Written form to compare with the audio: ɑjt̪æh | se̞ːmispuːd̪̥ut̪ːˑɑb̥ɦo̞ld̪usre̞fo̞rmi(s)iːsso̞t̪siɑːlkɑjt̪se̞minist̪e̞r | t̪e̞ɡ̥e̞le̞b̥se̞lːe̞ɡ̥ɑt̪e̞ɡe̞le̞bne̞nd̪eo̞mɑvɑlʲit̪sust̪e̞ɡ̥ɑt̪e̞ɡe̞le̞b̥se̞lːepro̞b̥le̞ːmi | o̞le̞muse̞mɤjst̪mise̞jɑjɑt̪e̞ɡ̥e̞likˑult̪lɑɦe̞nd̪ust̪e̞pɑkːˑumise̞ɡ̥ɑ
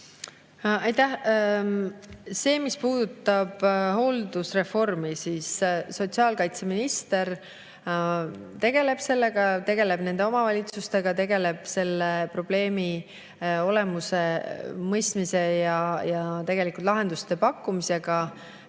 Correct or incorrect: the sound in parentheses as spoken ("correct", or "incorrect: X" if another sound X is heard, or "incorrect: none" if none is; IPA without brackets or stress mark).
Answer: correct